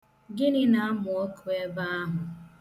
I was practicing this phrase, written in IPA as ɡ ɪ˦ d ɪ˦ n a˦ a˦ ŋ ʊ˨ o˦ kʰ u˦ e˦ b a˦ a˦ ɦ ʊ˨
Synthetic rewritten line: ɡ ɪ˦ n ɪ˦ n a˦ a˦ m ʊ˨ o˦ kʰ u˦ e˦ b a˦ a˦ ɦ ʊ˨